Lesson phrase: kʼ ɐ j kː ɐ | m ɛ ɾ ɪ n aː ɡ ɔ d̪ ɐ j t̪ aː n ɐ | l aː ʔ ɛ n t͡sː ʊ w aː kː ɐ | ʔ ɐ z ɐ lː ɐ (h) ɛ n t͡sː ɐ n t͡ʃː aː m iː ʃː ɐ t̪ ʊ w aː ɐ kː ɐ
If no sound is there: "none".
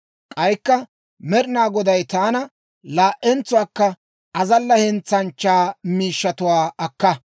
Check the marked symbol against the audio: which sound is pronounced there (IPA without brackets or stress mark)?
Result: h